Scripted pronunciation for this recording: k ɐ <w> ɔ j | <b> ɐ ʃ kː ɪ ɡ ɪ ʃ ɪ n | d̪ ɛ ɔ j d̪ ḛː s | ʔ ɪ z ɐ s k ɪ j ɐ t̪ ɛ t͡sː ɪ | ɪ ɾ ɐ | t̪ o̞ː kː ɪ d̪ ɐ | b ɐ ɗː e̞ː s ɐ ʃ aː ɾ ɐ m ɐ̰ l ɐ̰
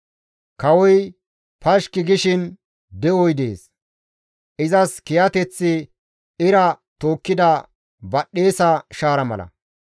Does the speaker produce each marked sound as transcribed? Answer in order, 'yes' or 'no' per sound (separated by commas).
yes, no